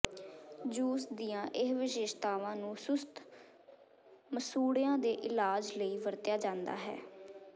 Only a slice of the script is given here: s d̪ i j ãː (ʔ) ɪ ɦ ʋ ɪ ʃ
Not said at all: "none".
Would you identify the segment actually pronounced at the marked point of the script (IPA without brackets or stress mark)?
ʔ